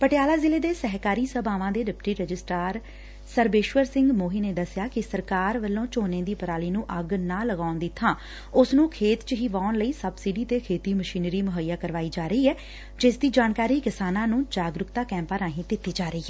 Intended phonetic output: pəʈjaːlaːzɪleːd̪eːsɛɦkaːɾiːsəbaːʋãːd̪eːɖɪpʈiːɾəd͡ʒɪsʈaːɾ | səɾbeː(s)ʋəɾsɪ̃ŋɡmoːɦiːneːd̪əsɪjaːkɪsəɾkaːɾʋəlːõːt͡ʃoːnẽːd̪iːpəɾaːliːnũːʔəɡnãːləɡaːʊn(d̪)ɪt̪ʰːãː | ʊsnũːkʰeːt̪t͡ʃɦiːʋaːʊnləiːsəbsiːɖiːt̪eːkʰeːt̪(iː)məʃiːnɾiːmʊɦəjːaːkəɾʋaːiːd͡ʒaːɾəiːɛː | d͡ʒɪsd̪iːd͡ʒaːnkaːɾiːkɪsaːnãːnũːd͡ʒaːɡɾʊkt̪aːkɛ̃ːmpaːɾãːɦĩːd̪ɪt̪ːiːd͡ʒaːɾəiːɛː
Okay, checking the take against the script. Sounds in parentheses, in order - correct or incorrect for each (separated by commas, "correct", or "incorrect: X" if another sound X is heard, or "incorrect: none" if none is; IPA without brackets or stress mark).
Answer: incorrect: ʃ, correct, correct